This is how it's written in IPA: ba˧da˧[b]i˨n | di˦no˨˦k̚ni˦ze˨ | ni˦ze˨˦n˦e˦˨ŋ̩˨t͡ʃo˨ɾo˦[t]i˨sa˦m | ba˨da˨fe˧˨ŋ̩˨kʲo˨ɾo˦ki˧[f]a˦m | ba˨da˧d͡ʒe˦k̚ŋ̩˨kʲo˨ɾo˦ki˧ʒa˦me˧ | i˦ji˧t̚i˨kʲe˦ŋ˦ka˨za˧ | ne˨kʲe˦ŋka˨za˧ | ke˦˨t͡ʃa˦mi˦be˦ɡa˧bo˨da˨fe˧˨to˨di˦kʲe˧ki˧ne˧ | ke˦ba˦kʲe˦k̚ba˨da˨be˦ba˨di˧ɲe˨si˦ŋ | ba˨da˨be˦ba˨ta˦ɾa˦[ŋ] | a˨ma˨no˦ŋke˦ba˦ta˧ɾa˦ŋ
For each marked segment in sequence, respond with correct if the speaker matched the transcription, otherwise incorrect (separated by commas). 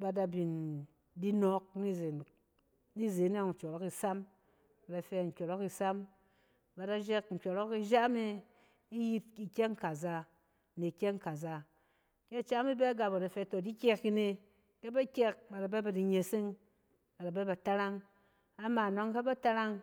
correct, incorrect, incorrect, correct